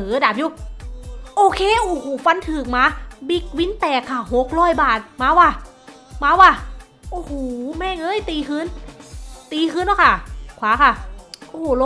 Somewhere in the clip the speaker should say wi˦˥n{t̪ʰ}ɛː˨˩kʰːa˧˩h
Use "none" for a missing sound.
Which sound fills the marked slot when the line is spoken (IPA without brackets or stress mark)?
t̪